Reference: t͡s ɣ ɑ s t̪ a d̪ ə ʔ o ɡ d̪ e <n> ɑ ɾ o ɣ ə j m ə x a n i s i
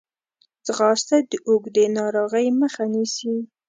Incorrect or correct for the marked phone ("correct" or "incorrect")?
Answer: correct